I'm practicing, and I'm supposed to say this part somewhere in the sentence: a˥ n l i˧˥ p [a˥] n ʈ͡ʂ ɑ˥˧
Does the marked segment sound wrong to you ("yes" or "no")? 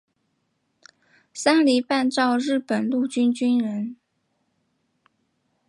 yes